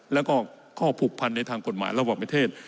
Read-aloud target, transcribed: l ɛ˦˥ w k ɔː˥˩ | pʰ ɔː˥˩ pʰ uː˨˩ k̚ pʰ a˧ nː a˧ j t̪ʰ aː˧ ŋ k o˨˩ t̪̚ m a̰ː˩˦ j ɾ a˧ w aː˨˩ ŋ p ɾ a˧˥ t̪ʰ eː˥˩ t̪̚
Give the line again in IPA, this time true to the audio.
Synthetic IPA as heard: l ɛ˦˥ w k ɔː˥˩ | kʰ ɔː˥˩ pʰ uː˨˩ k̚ pʰ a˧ nː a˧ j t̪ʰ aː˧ ŋ k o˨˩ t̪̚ m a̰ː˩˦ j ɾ a˧ w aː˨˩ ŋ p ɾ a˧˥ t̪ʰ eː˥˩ t̪̚

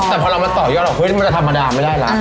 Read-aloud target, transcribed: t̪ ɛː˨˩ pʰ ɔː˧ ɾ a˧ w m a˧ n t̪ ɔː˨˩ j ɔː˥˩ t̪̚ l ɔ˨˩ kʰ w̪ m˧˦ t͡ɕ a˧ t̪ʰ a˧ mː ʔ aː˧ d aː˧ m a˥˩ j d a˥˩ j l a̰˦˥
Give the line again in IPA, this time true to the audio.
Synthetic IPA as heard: t̪ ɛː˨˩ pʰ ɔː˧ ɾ a˧ w m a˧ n t̪ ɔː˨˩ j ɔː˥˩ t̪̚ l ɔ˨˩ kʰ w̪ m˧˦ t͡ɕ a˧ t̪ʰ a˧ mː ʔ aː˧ d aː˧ m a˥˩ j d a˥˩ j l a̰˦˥

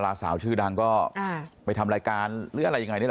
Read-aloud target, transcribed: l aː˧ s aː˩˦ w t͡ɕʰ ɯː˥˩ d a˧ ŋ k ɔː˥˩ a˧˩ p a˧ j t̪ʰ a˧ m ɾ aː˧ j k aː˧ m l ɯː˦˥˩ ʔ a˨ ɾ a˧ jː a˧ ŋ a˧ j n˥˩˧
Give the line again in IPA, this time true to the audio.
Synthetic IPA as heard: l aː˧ s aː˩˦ w t͡ɕʰ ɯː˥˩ d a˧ ŋ k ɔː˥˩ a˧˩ p a˧ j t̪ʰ a˧ m ɾ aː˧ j k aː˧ n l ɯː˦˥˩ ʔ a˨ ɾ a˧ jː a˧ ŋ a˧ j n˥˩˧

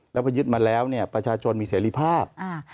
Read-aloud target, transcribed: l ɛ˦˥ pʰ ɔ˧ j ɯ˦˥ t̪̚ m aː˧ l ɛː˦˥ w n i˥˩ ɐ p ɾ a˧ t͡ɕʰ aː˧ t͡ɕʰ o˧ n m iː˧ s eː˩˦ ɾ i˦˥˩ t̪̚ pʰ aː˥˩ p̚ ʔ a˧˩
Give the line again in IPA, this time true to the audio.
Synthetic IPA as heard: l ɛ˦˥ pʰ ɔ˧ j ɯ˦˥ t̪̚ m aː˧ l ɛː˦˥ w n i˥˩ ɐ p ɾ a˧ t͡ɕʰ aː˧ t͡ɕʰ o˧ n m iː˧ s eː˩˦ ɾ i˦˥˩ pʰ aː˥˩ p̚ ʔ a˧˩

